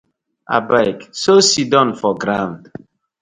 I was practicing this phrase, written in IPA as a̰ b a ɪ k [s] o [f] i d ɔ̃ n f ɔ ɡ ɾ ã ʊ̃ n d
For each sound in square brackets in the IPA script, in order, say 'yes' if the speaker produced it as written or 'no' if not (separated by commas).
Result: yes, no